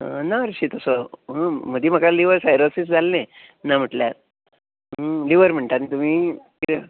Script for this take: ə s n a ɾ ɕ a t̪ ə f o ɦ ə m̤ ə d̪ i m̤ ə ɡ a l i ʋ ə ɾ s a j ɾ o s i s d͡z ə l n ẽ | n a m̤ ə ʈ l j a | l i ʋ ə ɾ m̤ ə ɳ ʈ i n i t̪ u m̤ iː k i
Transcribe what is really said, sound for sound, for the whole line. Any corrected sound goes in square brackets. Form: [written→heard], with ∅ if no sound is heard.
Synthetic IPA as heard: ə [s→∅] n a ɾ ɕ [a→i] t̪ ə [f→s] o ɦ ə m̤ ə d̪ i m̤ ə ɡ a l i ʋ ə ɾ s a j ɾ o s i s d͡z [ə→a] l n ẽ | n a m̤ ə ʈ l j a | l i ʋ ə ɾ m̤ ə ɳ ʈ [i→a] n i t̪ u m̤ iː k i